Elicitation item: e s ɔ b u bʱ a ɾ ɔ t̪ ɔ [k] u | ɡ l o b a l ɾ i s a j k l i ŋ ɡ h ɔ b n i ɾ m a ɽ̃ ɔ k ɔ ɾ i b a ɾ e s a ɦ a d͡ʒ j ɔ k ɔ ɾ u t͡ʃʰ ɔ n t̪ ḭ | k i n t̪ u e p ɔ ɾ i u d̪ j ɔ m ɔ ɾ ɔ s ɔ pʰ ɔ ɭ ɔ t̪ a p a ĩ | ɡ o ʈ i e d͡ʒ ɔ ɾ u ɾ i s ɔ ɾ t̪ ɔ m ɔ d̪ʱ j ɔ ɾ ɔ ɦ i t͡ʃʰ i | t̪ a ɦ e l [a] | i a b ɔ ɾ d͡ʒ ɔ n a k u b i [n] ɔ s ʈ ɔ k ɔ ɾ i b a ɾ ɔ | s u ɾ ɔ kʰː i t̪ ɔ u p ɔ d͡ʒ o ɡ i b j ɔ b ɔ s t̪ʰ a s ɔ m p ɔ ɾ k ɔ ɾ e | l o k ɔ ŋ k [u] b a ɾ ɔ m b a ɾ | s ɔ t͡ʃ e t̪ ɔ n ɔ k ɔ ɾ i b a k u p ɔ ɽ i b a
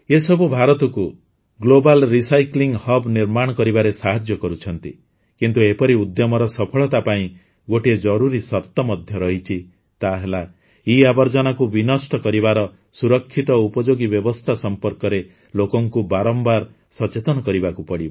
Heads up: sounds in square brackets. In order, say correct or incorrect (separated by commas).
correct, correct, correct, correct